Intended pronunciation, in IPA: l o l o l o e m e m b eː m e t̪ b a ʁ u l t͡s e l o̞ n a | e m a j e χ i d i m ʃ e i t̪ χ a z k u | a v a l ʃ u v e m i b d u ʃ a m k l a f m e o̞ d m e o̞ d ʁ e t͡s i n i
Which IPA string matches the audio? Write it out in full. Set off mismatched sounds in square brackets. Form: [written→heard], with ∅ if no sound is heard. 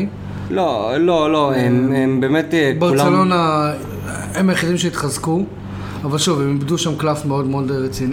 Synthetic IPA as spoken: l o l o l o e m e m b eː m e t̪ b a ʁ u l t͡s e l o̞ n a | e m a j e χ i d i m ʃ e i t̪ χ a z k u | a v a l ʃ u v e m i b d u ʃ a m k l a f m e o̞ d m e o̞ d ʁ e t͡s i n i